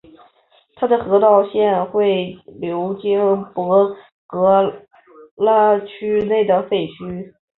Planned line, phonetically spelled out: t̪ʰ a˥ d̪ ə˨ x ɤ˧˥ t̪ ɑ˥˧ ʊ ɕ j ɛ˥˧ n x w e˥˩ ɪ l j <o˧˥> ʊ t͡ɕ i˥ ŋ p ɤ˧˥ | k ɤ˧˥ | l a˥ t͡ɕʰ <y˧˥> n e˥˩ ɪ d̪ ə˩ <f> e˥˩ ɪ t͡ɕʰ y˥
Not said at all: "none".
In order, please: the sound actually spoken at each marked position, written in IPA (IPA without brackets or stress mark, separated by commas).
o˧˥, y˥, f